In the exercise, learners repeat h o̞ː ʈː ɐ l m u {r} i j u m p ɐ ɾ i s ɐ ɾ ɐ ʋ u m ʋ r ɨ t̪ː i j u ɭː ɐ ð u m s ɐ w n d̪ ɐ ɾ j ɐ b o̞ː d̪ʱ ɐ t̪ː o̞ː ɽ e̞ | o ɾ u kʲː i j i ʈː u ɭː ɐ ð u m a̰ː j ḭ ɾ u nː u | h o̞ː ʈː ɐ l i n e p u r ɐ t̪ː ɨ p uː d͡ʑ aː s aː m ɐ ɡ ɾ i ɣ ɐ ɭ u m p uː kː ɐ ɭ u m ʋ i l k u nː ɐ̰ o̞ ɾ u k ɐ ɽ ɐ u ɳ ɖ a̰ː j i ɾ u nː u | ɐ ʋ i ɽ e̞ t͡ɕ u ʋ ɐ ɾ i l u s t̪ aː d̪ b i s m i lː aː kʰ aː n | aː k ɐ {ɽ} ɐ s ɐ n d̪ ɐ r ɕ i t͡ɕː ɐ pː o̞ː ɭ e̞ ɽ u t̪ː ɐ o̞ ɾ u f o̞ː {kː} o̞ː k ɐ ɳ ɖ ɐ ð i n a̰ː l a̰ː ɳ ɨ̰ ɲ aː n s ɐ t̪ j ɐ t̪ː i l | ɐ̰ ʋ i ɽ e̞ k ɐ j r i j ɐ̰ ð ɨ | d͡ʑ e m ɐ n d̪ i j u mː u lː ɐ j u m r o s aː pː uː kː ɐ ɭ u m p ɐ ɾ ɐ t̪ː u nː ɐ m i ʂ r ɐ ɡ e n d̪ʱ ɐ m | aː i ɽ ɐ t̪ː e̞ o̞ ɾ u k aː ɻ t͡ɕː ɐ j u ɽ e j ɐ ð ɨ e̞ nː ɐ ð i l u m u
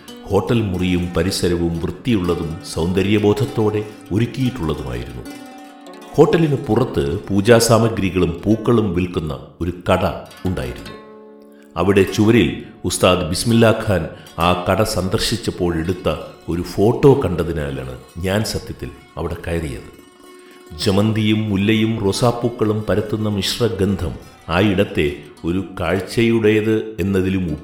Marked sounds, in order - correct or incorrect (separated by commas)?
correct, correct, incorrect